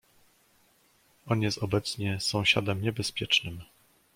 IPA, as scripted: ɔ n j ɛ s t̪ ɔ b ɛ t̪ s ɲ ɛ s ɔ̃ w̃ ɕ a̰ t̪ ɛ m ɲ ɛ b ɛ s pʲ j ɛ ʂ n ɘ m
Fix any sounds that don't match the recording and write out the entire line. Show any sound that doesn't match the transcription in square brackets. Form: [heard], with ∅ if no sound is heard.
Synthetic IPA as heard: ɔ n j ɛ s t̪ ɔ b ɛ t̪ s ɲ ɛ s ɔ̃ w̃ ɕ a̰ [d̪] ɛ m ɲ ɛ b ɛ s pʲ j ɛ [t͡ʂ] n ɘ m